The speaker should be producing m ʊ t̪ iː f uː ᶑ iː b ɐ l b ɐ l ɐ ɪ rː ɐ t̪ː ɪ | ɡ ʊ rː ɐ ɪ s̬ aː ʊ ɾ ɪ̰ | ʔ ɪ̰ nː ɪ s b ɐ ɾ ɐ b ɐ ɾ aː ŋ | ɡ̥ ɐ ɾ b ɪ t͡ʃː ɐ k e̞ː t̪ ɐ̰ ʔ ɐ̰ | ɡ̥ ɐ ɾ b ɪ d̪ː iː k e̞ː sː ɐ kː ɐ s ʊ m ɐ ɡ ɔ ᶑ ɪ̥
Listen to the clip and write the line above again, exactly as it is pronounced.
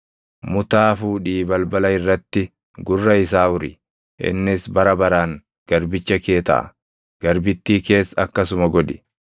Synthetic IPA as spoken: m ʊ t̪ aː f uː ᶑ iː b ɐ l b ɐ l ɐ ɪ rː ɐ t̪ː ɪ | ɡ ʊ rː ɐ ɪ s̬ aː ʊ ɾ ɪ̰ | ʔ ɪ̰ nː ɪ s b ɐ ɾ ɐ b ɐ ɾ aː ŋ | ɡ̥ ɐ ɾ b ɪ t͡ʃː ɐ k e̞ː t̪ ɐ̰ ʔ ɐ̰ | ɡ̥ ɐ ɾ b ɪ t̪ː iː k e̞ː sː ɐ kː ɐ s ʊ m ɐ ɡ ɔ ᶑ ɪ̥